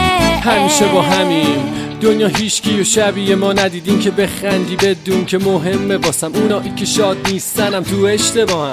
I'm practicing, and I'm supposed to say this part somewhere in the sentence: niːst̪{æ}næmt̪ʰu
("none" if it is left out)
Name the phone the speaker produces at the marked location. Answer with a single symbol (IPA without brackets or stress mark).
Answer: æ